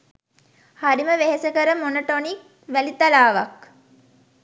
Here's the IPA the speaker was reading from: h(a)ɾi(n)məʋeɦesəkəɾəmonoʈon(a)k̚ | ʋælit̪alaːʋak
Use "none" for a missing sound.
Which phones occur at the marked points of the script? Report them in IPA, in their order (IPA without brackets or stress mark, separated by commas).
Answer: a, none, i